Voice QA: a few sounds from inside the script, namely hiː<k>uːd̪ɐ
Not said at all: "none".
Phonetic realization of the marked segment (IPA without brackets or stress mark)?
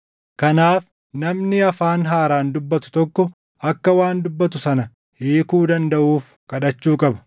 k